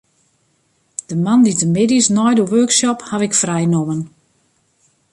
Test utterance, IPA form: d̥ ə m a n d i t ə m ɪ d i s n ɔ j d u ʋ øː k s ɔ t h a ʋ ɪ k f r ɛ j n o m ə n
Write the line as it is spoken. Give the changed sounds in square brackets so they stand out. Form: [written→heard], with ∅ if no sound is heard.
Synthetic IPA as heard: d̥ ə m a n d i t ə m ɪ d i s n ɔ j d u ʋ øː k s ɔ [t→p] h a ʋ ɪ k f r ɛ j n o m ə n